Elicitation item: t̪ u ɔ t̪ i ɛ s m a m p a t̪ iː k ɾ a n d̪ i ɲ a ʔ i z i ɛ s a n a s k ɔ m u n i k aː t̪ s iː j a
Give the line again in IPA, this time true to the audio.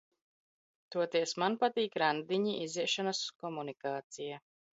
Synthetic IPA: t̪ u ɔ t̪ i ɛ s m a n p a t̪ iː k ɾ a n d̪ i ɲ i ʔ i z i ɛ ʃ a n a s k ɔ m u n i k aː t̪ s i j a